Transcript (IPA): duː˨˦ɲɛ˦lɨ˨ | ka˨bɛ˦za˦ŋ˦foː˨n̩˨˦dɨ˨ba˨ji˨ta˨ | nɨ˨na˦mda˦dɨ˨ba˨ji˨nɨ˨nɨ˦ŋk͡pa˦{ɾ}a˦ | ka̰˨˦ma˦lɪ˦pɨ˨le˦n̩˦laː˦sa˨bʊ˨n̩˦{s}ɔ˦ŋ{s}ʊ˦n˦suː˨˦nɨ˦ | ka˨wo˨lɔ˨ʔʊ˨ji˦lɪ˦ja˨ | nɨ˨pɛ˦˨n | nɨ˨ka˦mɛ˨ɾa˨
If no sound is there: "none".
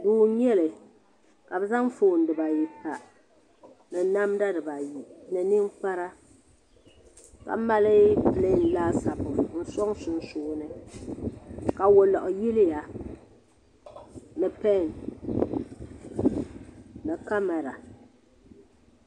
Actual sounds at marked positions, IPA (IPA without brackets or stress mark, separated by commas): ɾ, s, s